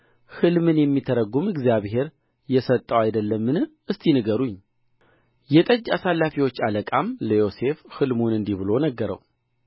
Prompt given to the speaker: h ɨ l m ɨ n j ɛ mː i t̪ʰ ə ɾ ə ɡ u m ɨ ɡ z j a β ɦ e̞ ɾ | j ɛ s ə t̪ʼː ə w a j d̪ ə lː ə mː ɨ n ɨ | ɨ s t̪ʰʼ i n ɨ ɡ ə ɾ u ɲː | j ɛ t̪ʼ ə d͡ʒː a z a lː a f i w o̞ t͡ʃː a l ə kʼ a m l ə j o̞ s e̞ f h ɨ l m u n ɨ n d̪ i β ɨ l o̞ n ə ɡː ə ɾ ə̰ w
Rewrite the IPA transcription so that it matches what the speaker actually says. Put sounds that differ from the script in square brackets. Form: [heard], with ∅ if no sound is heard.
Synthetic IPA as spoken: h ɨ l m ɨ n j ɛ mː i t̪ʰ ə ɾ ə ɡ u m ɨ ɡ z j a β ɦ e̞ ɾ | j ɛ s ə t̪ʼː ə w a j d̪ ə lː ə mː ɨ n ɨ | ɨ s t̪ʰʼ i n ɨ ɡ ə ɾ u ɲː | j ɛ t̪ʼ ə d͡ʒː a [s] a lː a f i w o̞ t͡ʃː a l ə kʼ a m l ə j o̞ s e̞ f h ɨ l m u n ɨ n d̪ i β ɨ l o̞ n ə ɡː ə ɾ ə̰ w